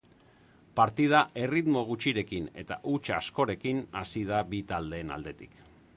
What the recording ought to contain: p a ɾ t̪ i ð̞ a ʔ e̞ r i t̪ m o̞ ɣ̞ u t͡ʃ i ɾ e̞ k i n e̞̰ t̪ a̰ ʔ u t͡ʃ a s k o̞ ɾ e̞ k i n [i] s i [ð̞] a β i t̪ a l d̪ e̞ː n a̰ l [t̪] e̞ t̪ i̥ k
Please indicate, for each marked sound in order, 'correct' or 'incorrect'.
incorrect, correct, incorrect

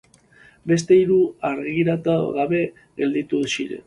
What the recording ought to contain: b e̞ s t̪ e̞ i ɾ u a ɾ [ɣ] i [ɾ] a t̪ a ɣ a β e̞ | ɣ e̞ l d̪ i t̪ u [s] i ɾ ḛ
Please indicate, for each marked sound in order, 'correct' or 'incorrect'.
correct, correct, correct

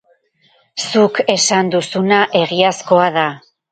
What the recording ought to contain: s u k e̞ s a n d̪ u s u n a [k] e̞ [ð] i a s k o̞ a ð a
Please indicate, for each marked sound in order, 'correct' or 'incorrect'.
incorrect, incorrect

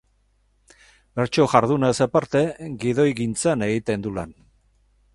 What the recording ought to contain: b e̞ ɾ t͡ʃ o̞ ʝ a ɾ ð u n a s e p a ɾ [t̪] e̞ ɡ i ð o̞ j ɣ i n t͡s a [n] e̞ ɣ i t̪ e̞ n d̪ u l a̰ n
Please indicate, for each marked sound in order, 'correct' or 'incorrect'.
correct, correct

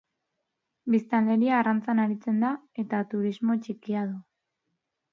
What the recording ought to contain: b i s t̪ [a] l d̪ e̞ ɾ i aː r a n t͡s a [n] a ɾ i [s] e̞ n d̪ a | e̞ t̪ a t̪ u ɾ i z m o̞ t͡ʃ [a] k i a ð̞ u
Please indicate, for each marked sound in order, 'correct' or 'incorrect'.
correct, correct, incorrect, incorrect

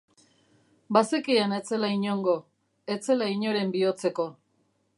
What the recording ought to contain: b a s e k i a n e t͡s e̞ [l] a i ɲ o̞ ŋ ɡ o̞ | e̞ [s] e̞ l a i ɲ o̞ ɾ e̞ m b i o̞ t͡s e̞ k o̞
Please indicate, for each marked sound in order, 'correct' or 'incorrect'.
correct, incorrect

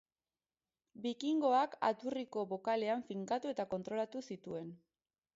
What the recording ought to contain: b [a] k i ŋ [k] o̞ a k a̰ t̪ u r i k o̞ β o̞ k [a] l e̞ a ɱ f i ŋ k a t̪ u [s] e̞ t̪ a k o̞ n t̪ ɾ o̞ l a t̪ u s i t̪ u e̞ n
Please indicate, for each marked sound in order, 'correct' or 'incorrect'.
incorrect, incorrect, correct, incorrect

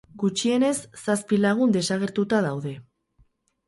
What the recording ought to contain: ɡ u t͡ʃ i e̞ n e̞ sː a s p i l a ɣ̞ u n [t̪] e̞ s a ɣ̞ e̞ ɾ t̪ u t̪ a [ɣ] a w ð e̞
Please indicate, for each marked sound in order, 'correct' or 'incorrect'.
incorrect, incorrect

